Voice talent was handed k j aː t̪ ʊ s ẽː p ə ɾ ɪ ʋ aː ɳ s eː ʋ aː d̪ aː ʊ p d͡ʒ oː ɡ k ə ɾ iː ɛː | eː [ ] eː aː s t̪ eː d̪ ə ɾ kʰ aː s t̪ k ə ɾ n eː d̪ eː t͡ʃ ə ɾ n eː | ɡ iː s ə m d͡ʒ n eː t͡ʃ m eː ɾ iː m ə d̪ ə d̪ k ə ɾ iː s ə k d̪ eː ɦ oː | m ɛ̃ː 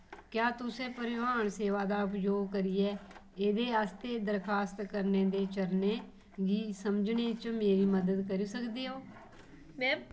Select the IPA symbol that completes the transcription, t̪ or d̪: d̪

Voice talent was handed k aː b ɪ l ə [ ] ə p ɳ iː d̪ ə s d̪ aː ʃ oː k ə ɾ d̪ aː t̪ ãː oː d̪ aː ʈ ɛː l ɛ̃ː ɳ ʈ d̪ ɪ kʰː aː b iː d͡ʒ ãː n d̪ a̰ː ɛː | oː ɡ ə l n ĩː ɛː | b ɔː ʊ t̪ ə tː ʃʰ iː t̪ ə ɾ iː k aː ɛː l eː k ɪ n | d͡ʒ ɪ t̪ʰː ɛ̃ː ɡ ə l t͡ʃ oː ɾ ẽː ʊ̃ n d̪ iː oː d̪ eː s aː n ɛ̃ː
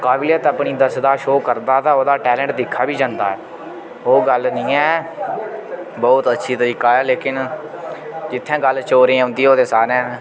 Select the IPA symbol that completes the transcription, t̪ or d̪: t̪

